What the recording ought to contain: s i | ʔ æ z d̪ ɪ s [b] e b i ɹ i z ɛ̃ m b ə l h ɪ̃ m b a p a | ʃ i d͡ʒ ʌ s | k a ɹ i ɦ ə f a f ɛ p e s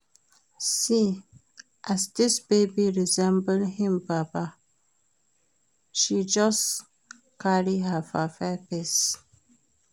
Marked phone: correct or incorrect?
correct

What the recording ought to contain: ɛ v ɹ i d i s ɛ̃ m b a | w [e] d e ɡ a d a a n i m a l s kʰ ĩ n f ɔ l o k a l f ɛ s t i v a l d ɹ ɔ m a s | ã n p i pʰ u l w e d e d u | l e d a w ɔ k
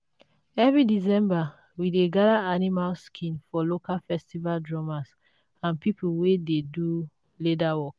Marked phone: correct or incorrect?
incorrect: i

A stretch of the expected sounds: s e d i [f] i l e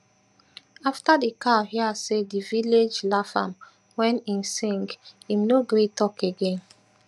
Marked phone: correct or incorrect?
incorrect: v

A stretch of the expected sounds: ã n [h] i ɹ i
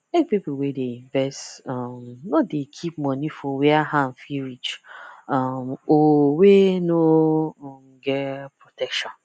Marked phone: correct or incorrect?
incorrect: f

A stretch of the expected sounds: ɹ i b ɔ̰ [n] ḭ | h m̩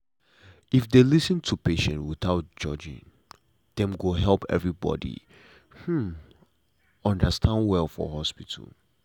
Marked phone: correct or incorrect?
incorrect: d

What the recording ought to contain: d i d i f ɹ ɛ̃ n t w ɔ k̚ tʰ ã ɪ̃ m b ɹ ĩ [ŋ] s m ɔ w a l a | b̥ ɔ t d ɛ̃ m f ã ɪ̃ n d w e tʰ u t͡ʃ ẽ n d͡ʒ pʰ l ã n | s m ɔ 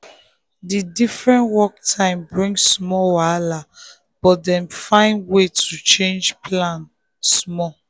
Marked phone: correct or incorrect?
correct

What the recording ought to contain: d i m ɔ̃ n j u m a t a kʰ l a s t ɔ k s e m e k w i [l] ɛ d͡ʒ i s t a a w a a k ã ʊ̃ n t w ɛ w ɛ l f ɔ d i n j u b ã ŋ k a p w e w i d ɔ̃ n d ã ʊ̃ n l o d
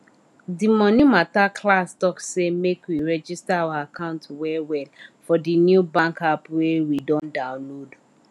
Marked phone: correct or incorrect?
incorrect: ɹ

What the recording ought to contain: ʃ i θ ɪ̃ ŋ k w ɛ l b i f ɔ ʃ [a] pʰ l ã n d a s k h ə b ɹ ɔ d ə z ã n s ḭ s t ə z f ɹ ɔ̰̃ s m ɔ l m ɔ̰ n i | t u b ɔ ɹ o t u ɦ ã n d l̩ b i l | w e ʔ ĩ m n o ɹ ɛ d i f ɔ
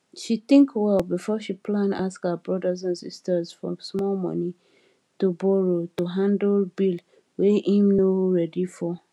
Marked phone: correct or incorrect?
incorrect: i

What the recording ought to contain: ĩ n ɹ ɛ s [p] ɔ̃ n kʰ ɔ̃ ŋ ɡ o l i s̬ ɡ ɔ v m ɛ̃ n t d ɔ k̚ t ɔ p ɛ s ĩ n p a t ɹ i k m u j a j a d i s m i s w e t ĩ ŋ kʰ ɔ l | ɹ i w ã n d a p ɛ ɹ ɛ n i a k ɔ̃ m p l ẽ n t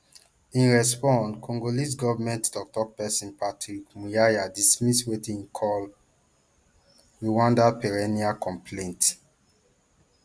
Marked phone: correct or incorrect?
correct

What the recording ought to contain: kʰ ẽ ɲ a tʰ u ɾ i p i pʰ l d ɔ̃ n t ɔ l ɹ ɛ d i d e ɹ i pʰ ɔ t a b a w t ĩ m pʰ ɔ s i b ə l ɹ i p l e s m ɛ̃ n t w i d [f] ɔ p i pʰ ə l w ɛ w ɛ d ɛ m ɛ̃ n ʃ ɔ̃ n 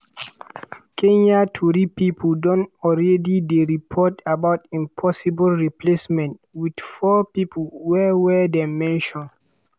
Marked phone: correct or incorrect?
correct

